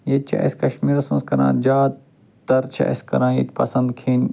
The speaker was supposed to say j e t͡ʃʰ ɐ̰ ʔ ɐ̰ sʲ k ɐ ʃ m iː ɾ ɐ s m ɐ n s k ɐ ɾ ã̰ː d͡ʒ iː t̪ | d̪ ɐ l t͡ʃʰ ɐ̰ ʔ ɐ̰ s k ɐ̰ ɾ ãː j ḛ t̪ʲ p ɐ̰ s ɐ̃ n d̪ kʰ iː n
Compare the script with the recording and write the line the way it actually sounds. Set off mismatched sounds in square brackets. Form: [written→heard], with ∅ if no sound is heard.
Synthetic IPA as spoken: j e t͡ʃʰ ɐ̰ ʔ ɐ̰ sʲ k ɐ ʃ m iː ɾ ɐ s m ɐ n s k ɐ ɾ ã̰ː d͡ʒ [iː→aː] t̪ | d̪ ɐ [l→ɾ] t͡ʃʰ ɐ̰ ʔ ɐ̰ s k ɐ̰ ɾ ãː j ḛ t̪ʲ p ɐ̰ s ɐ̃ n d̪ kʰ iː n

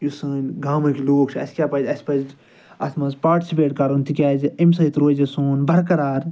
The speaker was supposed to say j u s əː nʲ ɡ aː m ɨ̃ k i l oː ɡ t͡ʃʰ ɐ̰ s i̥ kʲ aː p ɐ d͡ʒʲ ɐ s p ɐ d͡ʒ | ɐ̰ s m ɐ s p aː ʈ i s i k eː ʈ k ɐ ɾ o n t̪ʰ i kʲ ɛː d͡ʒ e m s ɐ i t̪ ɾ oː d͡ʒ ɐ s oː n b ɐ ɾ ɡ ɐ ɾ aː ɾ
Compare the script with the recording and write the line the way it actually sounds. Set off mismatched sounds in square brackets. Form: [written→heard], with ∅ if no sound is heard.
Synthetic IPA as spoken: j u s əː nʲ ɡ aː m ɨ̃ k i l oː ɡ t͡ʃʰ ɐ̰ s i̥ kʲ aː p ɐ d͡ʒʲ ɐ s p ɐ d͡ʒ | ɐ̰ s m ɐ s p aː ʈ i s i [k→p] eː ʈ k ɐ ɾ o n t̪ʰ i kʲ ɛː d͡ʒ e m s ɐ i t̪ ɾ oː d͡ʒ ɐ s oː n b ɐ ɾ [ɡ→k] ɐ ɾ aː ɾ

